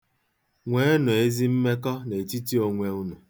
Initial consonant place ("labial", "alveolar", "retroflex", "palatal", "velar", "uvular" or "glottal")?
velar